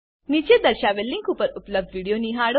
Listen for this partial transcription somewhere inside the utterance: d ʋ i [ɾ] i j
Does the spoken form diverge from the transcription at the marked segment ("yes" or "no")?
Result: yes